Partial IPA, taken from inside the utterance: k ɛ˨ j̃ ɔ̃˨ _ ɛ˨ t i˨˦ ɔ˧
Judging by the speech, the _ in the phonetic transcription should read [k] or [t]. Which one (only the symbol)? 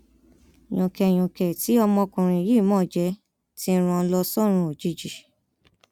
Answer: k